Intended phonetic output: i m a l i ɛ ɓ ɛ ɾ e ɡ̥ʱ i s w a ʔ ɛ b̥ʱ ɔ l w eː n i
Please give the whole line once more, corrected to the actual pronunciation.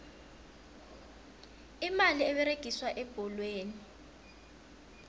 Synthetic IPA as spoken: i m a l i ɛ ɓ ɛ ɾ e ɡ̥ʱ i s w a ʔ ɛ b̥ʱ ɔ l w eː n i